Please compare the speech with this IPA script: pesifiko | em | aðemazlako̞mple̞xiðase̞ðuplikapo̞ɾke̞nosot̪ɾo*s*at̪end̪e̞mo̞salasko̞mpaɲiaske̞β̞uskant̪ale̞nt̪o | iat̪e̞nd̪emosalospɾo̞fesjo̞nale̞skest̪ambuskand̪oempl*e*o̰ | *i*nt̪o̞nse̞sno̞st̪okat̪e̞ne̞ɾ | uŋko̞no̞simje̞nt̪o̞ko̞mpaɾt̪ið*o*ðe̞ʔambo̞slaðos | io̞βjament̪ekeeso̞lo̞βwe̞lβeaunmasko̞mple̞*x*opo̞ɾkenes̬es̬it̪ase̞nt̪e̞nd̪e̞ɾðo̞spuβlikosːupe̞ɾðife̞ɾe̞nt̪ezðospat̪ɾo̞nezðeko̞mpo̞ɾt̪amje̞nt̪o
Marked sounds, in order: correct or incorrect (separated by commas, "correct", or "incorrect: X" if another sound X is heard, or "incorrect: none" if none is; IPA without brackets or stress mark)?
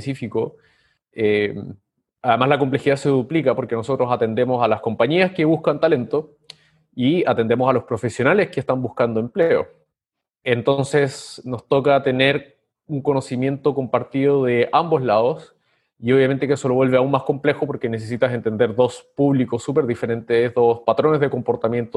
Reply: correct, correct, incorrect: e, correct, correct